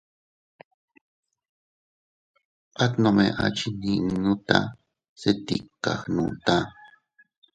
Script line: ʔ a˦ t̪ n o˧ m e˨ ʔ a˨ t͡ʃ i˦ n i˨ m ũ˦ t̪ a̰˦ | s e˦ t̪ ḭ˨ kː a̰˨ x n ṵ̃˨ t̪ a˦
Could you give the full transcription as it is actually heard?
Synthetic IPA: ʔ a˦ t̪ n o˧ m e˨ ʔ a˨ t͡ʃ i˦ n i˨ n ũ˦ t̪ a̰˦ | s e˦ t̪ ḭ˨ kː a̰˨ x n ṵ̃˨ t̪ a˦